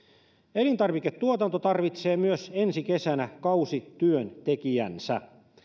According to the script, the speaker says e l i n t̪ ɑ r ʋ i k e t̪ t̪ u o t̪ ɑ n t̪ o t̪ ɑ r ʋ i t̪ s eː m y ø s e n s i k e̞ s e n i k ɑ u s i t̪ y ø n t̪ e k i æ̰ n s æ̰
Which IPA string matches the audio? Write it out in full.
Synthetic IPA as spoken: e l i n t̪ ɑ r ʋ i k e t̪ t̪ u o t̪ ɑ n t̪ o t̪ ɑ r ʋ i t̪ s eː m y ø s e n s i k e̞ s æ n æ k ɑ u s i t̪ y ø n t̪ e k i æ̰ n s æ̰